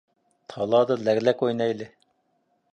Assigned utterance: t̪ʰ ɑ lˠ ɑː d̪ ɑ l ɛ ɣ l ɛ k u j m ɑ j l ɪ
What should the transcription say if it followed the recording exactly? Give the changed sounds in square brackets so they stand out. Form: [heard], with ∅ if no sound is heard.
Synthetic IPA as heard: t̪ʰ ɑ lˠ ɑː d̪ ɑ l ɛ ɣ l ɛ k [o] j [n] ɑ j l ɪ